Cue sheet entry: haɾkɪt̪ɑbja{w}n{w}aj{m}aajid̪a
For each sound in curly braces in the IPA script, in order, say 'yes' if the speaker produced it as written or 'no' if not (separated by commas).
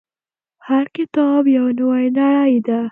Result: yes, yes, no